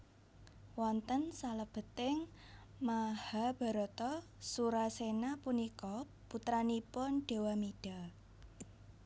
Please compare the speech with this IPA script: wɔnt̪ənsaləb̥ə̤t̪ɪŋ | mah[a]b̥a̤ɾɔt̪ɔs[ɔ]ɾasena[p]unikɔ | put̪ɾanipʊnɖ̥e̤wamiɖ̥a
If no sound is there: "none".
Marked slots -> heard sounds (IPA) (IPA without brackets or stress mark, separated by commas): a, u, p